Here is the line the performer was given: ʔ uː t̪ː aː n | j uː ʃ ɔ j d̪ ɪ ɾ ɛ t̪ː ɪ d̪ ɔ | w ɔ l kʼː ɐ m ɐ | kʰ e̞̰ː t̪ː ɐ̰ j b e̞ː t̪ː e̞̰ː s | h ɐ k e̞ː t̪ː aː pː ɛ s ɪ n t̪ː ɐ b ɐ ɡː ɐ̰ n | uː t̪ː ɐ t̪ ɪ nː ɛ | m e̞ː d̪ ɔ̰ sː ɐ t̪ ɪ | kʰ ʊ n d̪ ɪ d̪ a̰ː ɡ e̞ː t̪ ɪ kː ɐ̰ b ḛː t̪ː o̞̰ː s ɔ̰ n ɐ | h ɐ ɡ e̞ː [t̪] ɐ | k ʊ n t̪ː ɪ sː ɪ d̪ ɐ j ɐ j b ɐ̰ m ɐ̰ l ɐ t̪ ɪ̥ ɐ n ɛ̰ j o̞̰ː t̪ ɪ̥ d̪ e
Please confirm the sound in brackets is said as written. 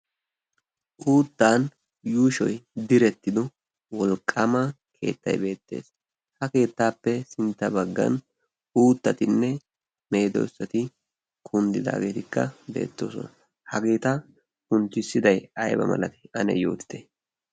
yes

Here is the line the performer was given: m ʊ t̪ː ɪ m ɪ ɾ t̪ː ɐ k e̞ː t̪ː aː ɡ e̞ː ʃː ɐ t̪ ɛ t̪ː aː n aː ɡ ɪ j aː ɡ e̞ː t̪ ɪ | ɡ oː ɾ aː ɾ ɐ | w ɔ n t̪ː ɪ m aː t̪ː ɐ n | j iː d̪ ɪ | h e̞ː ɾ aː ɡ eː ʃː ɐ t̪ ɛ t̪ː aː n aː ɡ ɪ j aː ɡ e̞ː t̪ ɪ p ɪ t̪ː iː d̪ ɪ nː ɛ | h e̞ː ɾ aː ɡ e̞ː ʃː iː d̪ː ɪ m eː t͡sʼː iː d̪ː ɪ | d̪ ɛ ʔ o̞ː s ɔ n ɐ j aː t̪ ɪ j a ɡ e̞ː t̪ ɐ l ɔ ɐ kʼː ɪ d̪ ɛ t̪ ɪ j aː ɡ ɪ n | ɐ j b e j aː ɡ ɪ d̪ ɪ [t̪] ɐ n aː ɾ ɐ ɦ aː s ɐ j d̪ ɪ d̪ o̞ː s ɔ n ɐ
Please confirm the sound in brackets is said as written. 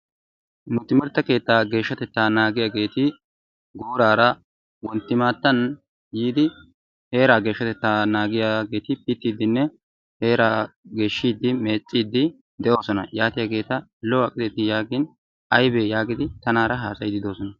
yes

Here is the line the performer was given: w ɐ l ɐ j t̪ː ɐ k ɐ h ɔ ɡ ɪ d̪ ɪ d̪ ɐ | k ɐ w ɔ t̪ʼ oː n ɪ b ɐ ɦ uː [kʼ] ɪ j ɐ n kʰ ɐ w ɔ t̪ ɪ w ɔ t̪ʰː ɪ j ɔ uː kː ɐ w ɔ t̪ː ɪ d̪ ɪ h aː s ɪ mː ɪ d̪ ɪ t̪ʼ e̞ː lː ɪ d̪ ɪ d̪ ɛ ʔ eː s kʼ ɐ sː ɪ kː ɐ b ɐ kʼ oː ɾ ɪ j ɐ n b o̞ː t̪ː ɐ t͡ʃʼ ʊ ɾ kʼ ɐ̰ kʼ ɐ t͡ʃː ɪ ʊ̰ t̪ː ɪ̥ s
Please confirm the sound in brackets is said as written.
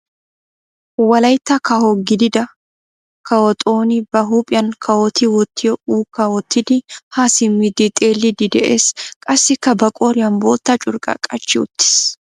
no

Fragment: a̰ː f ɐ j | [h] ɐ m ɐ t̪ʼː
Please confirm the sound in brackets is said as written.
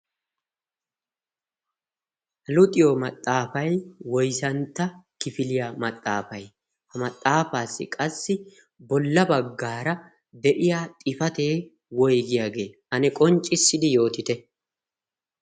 yes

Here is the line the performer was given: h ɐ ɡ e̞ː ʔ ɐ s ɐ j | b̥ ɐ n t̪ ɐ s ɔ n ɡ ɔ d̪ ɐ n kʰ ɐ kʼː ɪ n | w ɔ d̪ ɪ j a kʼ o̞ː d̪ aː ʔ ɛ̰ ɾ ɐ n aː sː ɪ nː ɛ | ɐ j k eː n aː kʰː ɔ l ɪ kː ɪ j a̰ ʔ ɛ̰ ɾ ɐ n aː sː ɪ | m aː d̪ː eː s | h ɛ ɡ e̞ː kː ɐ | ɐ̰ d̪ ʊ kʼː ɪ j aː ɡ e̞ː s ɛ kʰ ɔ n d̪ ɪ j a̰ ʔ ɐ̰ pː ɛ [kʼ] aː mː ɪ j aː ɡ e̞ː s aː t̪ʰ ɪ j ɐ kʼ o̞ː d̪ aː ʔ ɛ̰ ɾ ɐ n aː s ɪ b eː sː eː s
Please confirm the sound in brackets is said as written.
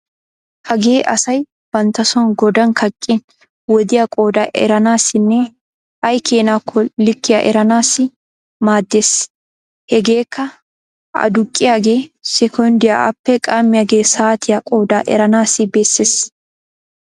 yes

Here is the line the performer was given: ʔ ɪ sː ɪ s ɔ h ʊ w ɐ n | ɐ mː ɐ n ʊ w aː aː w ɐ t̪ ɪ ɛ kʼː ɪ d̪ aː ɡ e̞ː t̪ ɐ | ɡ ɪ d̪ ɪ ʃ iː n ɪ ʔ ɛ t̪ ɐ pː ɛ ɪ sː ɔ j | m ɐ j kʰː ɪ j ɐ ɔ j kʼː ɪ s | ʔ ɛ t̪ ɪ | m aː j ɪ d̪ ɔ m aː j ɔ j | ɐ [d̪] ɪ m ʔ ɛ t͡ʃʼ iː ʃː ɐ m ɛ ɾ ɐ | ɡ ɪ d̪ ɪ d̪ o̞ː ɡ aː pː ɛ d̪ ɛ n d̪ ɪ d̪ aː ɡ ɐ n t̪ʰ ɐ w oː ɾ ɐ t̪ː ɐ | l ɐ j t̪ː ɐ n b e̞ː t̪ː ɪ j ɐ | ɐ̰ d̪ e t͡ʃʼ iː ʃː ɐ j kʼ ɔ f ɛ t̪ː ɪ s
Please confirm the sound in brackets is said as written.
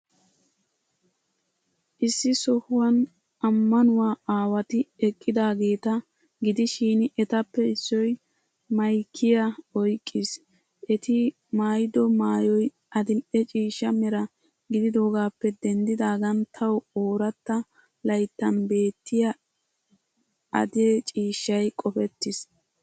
yes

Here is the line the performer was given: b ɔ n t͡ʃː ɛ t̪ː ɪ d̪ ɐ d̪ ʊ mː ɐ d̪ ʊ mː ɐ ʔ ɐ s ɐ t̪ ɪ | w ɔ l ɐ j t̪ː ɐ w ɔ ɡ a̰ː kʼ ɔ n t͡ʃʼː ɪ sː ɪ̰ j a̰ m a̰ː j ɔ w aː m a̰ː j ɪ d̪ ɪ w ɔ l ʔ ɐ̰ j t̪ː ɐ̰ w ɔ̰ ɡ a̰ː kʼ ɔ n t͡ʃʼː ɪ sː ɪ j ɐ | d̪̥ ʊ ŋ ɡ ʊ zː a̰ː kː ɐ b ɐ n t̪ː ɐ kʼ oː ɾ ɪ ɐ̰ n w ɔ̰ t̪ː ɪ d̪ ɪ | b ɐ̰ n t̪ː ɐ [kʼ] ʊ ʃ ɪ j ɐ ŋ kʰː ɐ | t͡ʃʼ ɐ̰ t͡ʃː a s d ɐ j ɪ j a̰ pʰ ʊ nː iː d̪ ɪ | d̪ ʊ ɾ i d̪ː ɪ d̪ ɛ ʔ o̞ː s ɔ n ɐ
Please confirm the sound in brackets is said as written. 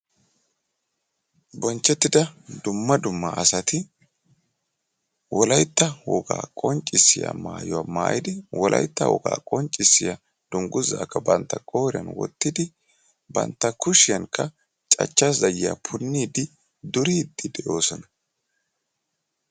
no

